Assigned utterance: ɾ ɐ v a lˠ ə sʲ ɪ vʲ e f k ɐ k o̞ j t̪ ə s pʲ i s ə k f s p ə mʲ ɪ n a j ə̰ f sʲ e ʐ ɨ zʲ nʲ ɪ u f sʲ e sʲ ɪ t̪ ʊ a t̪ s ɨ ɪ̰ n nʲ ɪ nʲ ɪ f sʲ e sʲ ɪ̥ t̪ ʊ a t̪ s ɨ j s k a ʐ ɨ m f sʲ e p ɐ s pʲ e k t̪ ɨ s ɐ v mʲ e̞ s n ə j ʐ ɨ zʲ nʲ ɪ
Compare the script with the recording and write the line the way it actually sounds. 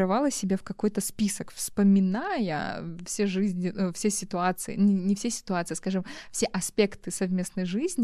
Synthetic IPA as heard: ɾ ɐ v a lˠ ə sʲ ɪ bʲ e f k ɐ k o̞ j t̪ ə s pʲ i s ə k f s p ə mʲ ɪ n a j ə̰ f sʲ e ʐ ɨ zʲ nʲ ɪ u f sʲ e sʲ ɪ t̪ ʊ a t̪ s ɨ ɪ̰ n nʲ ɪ nʲ ɪ f sʲ e sʲ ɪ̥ t̪ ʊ a t̪ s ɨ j s k a ʐ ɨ m f sʲ e ʔ ɐ s pʲ e k t̪ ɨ s ɐ v mʲ e̞ s n ə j ʐ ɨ zʲ nʲ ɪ